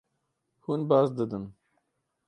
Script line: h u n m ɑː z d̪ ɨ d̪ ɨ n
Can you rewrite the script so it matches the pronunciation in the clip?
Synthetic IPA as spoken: h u n b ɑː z d̪ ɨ d̪ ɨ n